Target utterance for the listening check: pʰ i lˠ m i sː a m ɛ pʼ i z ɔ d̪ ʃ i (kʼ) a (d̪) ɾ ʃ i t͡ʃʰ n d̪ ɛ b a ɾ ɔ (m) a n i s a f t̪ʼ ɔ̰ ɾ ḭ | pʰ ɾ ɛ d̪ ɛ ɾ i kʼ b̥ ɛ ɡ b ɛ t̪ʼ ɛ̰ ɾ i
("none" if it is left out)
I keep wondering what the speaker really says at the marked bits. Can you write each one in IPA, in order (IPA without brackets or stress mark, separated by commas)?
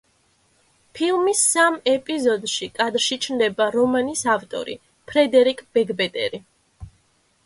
kʼ, d̪, m